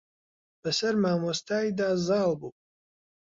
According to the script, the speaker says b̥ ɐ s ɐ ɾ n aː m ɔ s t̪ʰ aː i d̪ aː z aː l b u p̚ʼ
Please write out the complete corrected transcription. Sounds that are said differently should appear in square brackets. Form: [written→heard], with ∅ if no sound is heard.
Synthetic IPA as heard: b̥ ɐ s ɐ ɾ [n→m] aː m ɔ s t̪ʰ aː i d̪ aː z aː l b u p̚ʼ